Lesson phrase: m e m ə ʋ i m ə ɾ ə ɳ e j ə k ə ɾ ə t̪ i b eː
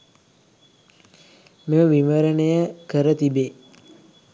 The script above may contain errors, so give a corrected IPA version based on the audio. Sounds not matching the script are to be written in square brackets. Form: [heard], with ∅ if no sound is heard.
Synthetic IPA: m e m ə ʋ i m ə ɾ ə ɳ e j ə k ə ɾ ə t̪ i b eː